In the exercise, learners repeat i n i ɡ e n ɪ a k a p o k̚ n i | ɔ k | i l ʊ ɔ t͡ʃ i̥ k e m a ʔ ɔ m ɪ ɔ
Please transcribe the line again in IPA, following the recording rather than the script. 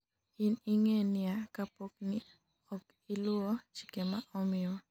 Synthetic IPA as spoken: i n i ŋ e n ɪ a k a p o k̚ n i | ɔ k | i l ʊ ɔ t͡ʃ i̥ k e m a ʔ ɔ m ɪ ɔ